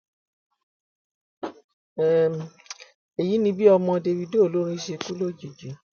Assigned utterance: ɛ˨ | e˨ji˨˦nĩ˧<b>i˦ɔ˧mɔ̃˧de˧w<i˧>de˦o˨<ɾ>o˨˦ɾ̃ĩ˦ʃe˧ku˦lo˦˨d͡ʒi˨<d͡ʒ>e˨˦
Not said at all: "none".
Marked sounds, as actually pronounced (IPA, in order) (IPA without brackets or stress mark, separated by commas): b, i˧, l, d͡ʒ